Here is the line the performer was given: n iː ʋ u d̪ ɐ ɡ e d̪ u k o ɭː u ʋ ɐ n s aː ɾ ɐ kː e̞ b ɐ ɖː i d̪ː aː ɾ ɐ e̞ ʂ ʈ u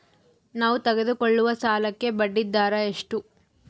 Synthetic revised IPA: n aː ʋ u t̪ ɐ ɡ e d̪ u k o ɭː u ʋ ɐ s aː l ɐ kː e̞ b ɐ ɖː i d̪ː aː ɾ ɐ e̞ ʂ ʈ u